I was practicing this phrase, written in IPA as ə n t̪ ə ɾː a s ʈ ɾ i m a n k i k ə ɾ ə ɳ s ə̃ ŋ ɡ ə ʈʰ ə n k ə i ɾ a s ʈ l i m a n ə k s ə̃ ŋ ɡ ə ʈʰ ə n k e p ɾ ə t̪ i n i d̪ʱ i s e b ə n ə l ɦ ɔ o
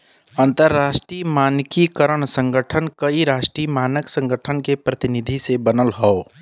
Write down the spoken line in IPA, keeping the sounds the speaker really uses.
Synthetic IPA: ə n t̪ ə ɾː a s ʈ ɾ i m a n k i k ə ɾ ə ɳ s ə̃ ŋ ɡ ə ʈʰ ə n k ə i ɾ a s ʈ ɾ i m a n ə k s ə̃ ŋ ɡ ə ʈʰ ə n k e p ɾ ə t̪ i n i d̪ʱ i s e b ə n ə l ɦ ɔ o